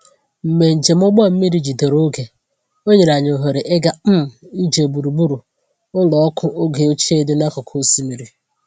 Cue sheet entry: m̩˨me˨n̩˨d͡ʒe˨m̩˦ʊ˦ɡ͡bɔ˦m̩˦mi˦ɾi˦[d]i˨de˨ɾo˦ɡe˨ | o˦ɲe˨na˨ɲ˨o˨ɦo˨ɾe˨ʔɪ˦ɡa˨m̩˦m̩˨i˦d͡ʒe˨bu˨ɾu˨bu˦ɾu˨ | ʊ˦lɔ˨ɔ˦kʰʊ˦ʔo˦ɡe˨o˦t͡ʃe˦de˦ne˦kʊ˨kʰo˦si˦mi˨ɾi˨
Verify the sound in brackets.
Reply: incorrect: d͡ʒ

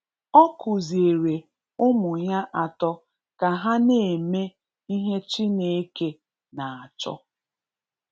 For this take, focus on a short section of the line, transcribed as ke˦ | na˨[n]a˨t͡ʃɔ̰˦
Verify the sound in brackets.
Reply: incorrect: none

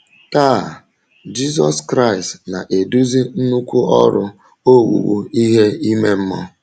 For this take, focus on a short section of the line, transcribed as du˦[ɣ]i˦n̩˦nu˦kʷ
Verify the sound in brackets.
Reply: incorrect: z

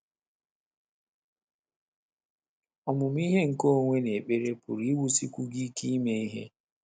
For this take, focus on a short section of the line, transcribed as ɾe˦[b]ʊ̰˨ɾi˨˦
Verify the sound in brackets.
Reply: incorrect: p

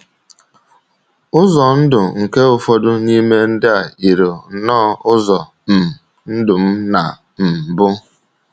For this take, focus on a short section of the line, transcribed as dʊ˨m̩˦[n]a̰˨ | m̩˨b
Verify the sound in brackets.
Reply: correct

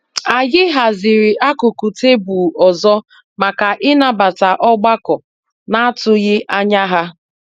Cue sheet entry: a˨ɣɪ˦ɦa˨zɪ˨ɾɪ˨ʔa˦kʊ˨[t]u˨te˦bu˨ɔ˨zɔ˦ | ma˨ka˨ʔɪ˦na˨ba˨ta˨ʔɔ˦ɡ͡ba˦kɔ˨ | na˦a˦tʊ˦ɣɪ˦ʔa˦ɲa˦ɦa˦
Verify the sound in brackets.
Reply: incorrect: k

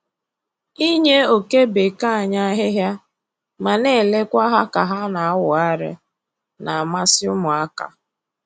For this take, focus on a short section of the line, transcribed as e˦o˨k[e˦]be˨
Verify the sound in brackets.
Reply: correct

